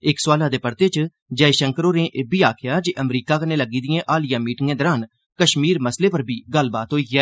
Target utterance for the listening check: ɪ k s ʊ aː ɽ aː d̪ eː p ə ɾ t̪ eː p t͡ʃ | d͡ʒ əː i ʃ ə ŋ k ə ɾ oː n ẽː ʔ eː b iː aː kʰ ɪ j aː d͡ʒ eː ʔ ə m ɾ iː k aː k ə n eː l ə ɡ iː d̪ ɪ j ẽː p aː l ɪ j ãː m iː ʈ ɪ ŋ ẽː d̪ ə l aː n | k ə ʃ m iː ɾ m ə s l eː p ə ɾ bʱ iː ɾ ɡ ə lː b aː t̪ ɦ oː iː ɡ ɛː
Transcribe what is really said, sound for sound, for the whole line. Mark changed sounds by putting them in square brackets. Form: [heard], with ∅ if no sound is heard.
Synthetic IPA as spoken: ɪ k s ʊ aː [l] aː d̪ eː p ə ɾ t̪ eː [∅] t͡ʃ | d͡ʒ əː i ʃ ə ŋ k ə ɾ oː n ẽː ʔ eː b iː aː kʰ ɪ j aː d͡ʒ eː ʔ ə m ɾ iː k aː k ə n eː l ə ɡ iː d̪ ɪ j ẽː [ʔ] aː l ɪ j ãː m iː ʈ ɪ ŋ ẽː d̪ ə [ɾ] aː n | k ə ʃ m iː ɾ m ə s l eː p ə ɾ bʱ iː [∅] ɡ ə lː b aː t̪ ɦ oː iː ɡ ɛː

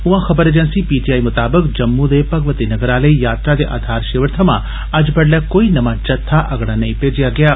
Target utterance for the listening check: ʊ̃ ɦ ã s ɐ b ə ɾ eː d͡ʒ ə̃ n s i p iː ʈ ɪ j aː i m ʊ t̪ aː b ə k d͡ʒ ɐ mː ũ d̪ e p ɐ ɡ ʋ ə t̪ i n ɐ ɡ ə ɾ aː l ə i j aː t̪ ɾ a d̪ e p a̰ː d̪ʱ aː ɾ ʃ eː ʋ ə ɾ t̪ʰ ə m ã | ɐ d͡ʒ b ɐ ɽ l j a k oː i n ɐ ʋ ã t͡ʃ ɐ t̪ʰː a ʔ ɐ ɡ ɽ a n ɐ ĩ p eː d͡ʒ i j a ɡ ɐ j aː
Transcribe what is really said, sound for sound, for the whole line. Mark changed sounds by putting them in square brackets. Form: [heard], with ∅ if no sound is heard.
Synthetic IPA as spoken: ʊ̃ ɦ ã [x] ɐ b ə ɾ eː d͡ʒ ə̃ n s i p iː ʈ [i] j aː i m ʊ t̪ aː b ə k d͡ʒ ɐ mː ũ d̪ e p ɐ ɡ ʋ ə t̪ i n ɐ ɡ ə ɾ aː l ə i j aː t̪ ɾ a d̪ e [ʔ] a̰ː d̪ʱ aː ɾ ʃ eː ʋ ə ɾ t̪ʰ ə m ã | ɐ d͡ʒ b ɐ ɽ l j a k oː i n ɐ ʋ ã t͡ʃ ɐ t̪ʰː a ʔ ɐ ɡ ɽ a n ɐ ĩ p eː d͡ʒ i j a ɡ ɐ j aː

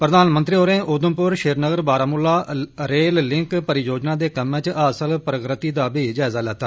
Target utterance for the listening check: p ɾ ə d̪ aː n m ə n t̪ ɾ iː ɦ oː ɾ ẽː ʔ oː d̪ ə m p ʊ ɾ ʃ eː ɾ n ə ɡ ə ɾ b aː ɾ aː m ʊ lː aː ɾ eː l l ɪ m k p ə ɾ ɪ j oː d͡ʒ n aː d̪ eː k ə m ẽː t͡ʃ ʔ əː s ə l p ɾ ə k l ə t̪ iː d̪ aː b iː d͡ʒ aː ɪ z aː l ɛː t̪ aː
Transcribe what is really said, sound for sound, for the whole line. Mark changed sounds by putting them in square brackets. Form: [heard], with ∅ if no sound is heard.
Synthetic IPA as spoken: p ɾ ə d̪ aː n m ə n t̪ ɾ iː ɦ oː ɾ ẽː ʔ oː d̪ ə m p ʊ ɾ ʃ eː ɾ n ə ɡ ə ɾ b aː ɾ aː m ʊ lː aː ɾ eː l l ɪ [ŋ] k p ə ɾ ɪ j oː d͡ʒ n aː d̪ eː k ə m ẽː t͡ʃ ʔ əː s ə l p ɾ ə k [ɾ] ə t̪ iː d̪ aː b iː d͡ʒ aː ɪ z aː l ɛː t̪ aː

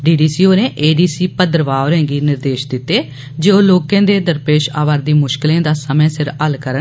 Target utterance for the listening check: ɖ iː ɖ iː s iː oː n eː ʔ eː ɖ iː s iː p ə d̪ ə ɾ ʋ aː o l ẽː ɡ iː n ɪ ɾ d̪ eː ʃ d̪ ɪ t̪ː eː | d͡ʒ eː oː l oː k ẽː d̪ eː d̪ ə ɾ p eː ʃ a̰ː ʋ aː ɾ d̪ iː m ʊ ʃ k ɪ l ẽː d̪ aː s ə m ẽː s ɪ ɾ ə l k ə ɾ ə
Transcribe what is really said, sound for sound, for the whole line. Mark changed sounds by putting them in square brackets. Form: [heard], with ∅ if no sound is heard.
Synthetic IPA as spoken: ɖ iː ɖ iː s iː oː n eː ʔ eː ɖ iː s iː p ə d̪ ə ɾ ʋ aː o [ɾ] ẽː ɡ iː n ɪ ɾ d̪ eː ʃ d̪ ɪ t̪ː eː | d͡ʒ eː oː l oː k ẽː d̪ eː d̪ ə ɾ p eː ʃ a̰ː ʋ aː ɾ d̪ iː m ʊ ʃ k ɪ l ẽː d̪ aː s ə m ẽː s ɪ ɾ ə l k ə ɾ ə

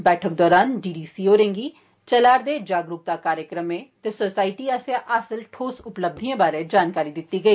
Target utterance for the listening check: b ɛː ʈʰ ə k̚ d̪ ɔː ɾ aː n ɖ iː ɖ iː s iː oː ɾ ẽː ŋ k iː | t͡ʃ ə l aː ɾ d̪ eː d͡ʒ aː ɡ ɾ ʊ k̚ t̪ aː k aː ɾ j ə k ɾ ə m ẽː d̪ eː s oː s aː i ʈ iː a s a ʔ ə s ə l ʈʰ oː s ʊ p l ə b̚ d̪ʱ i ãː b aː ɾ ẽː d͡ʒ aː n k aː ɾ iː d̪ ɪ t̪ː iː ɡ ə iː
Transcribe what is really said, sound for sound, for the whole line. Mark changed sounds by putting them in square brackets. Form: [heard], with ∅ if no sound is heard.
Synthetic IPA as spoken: b ɛː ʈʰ ə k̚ d̪ ɔː ɾ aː n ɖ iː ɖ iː s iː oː ɾ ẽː ŋ [ɡ] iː | t͡ʃ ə l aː ɾ d̪ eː d͡ʒ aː ɡ ɾ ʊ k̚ t̪ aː k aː ɾ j ə k ɾ ə m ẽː [t̪] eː s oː s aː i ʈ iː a s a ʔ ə s ə l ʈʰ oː s ʊ p l ə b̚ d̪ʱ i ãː b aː ɾ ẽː d͡ʒ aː n k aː ɾ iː d̪ ɪ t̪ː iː ɡ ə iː

